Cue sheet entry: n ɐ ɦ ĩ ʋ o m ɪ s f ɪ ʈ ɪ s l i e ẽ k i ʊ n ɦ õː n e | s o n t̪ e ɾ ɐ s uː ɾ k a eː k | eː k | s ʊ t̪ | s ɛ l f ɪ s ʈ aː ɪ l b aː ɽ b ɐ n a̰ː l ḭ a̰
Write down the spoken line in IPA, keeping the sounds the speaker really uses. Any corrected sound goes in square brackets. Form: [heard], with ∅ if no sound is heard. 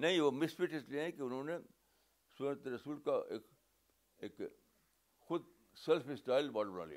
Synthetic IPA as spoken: n ɐ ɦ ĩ ʋ o m ɪ s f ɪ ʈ ɪ s l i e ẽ k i ʊ n ɦ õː n e | s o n t̪ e ɾ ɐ s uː [l] k a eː k | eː k | [x] ʊ [d̪] | s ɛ l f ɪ s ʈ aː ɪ l b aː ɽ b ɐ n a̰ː l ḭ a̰